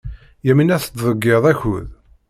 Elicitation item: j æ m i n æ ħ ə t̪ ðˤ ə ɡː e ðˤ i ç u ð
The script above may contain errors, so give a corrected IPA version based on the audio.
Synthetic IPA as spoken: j æ m i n æ θ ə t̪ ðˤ ə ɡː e ðˤ æ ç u ð